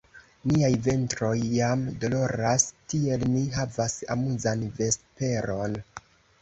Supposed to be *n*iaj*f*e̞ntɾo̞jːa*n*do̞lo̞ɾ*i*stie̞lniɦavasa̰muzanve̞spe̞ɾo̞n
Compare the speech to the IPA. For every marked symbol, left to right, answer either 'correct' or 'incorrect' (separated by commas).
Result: correct, incorrect, incorrect, incorrect